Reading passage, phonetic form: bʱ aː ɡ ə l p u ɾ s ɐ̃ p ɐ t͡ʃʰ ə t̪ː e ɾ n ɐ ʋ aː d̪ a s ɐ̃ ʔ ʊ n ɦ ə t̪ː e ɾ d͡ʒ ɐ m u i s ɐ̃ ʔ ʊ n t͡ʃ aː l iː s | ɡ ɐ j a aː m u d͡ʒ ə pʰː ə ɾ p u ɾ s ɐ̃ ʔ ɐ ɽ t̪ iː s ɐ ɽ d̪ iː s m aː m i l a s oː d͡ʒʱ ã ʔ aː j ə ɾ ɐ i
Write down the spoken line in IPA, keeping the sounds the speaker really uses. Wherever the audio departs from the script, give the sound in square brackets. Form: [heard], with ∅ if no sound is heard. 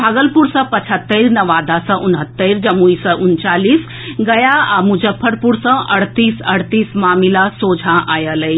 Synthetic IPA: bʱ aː ɡ ə l p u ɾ s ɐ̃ p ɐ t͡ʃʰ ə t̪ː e ɾ n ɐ ʋ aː d̪ a s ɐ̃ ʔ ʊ n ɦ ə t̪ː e ɾ d͡ʒ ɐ m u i s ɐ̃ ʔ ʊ n t͡ʃ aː l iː s | ɡ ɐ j a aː m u d͡ʒ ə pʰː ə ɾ p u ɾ s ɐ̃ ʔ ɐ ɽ t̪ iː s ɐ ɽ [t̪] iː s m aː m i l a s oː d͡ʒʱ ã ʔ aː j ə [l] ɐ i